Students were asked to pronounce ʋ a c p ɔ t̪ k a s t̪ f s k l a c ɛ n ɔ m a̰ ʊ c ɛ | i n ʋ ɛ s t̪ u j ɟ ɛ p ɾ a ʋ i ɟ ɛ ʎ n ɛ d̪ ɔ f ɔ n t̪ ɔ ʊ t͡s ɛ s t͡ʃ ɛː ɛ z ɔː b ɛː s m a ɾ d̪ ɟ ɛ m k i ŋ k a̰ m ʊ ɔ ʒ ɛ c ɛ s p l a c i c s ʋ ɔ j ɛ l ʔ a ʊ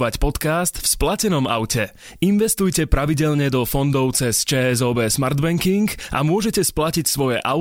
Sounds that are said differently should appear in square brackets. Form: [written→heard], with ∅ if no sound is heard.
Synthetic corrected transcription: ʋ a c p ɔ t̪ k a s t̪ f s [k→p] l a c ɛ n ɔ m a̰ ʊ c ɛ | i n ʋ ɛ s t̪ u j [ɟ→c] ɛ p ɾ a ʋ i ɟ ɛ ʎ [n→ɲ] ɛ d̪ ɔ f ɔ n [t̪→d̪] ɔ ʊ t͡s ɛ s t͡ʃ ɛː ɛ z ɔː b ɛː s m a ɾ d̪ [ɟ→b] ɛ [m→ŋ] k i ŋ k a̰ m ʊ ɔ ʒ ɛ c ɛ s p l a c i c s ʋ ɔ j ɛ [l→∅] ʔ a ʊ